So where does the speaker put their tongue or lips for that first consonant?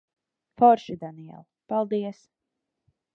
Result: lips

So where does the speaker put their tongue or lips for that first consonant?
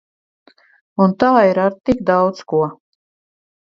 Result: tongue tip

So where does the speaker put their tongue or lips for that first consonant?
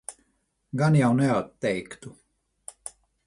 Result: velum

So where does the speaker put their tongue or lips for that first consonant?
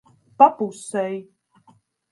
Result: lips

